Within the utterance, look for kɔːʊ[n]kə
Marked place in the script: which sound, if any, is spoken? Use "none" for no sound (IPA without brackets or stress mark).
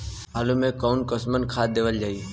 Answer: n